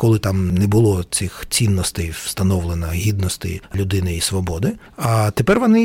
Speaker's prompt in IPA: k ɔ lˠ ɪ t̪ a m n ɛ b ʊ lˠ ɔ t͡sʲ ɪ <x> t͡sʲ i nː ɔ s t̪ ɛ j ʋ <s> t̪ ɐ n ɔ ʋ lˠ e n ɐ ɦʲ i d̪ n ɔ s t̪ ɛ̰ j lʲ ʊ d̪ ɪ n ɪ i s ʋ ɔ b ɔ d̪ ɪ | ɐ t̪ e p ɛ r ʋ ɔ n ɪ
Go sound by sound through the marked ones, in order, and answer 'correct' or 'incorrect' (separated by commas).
correct, correct